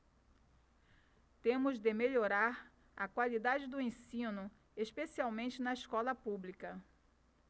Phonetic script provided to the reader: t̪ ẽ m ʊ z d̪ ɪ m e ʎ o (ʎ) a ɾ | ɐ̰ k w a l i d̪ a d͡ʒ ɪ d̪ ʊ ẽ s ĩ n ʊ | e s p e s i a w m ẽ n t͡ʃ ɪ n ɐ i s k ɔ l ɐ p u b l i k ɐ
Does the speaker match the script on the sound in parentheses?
no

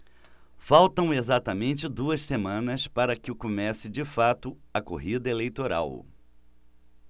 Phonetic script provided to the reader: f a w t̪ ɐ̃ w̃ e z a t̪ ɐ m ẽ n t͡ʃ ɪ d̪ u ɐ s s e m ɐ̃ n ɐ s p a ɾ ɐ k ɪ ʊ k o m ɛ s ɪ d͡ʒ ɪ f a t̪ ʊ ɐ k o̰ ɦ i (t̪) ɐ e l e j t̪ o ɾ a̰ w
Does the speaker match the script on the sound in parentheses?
no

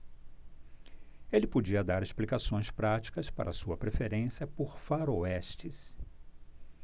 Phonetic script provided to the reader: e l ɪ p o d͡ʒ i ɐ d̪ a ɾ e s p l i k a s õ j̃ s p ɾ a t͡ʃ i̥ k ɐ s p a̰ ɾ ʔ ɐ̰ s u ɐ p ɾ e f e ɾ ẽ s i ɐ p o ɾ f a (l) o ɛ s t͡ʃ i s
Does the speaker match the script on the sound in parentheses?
no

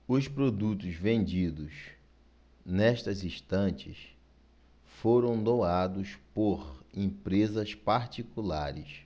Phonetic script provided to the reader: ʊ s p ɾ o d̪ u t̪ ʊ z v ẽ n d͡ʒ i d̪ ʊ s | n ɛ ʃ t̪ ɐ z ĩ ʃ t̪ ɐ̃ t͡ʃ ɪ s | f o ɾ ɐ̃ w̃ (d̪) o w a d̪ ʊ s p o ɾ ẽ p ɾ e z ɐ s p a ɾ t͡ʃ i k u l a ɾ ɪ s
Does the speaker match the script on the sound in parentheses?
yes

